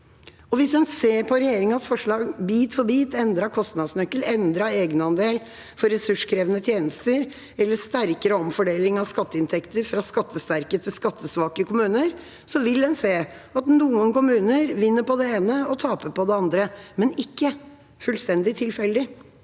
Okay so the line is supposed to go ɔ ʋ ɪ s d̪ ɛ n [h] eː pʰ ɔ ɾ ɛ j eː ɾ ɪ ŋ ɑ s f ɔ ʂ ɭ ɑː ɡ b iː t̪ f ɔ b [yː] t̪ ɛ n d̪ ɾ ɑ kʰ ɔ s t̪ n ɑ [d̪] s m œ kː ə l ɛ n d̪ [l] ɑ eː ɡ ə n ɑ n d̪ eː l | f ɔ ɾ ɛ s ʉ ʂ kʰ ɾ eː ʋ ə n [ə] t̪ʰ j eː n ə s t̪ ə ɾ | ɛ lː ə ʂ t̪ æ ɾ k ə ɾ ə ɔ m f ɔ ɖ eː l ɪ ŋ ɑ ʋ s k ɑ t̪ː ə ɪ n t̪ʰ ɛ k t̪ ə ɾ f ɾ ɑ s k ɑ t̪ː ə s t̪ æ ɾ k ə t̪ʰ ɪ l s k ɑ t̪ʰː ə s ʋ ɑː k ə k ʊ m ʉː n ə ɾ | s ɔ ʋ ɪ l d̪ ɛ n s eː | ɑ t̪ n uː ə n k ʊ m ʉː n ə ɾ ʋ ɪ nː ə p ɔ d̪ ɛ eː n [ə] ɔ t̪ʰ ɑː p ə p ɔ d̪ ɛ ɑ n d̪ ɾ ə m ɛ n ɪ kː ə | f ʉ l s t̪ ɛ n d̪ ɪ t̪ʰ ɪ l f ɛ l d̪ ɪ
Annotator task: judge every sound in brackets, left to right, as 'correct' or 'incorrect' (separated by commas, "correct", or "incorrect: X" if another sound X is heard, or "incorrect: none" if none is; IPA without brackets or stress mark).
incorrect: s, incorrect: iː, correct, incorrect: ɾ, correct, correct